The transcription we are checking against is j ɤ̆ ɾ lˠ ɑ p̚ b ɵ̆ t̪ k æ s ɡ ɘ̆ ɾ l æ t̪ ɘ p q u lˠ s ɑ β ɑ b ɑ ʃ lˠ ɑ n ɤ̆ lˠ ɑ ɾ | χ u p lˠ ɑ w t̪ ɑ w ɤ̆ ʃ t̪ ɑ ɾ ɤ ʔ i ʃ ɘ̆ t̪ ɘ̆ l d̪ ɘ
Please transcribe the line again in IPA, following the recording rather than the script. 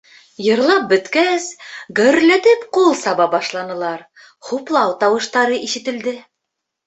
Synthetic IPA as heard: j ɤ̆ ɾ lˠ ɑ p̚ b ɵ̆ t̪ k æ s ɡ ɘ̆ ɾ l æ t̪ ɘ p q u lˠ s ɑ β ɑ b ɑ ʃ lˠ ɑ n ɤ̆ lˠ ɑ ɾ | χ u p lˠ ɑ w t̪ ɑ w ɤ̆ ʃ t̪ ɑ ɾ ɤ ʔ i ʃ ɘ̆ t̪ ɘ̆ l d̪ ɘ

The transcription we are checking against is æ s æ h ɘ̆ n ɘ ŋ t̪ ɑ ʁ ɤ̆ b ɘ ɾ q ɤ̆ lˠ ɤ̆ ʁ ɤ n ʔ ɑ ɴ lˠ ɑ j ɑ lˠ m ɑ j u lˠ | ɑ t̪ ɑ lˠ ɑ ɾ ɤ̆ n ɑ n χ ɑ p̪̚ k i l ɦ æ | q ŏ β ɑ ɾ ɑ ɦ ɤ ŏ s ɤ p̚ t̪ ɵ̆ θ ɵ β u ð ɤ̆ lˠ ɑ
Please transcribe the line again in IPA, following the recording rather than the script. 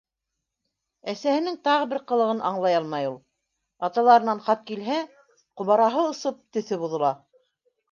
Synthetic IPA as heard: æ s æ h ɘ̆ n ɘ ŋ t̪ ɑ ʁ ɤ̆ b ɘ ɾ q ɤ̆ lˠ ɤ̆ ʁ ɤ n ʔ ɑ ɴ lˠ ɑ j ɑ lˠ m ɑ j u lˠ | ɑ t̪ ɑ lˠ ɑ ɾ ɤ̆ n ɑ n χ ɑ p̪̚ k i l ɦ æ | q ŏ β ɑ ɾ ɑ ɦ ɤ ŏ s ɤ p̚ t̪ ɵ̆ θ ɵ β u ð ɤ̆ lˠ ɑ

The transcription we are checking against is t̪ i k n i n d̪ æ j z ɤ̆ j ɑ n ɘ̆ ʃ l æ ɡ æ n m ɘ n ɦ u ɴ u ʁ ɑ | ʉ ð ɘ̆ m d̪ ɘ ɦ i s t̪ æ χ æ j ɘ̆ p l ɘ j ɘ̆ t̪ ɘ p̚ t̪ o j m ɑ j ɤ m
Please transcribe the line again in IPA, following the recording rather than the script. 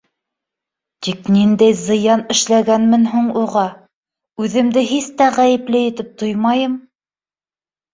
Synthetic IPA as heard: t̪ i k n i n d̪ æ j z ɤ̆ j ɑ n ɘ̆ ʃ l æ ɡ æ n m ɘ n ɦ u ɴ u ʁ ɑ | ʉ ð ɘ̆ m d̪ ɘ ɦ i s t̪ æ ʁ æ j ɘ̆ p l ɘ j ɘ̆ t̪ ɘ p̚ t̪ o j m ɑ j ɤ m

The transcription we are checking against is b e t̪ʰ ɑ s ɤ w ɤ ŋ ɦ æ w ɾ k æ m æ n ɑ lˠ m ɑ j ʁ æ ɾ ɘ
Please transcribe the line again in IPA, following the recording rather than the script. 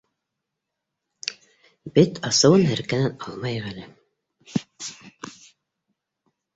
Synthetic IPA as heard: b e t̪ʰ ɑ s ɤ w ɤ n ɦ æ ɾ k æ n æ n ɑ lˠ m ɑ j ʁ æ l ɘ

